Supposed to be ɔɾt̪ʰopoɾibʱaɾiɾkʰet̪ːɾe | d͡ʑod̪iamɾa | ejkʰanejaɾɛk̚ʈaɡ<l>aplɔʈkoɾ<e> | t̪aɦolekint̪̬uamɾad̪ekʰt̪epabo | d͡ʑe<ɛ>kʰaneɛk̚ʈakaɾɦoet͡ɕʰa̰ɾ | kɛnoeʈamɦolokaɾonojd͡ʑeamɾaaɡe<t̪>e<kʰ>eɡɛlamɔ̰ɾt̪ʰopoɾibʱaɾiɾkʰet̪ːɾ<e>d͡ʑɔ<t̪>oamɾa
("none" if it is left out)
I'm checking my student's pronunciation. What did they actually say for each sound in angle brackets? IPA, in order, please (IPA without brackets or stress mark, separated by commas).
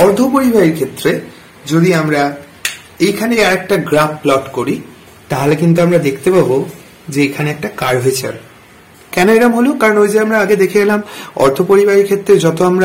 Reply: ɾ, i, e, d̪, kʰ, e, t̪